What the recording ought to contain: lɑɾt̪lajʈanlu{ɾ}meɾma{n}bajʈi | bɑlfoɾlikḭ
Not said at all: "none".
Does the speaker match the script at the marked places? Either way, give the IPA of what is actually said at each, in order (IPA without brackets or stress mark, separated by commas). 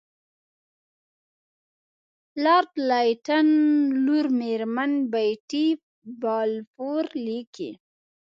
ɾ, n